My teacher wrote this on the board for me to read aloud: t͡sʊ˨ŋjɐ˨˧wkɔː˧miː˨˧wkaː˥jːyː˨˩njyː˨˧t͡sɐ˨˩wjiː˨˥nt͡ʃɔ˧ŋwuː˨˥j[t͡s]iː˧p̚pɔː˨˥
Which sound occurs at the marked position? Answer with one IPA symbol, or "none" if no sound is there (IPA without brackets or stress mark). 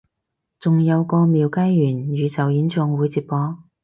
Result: t͡s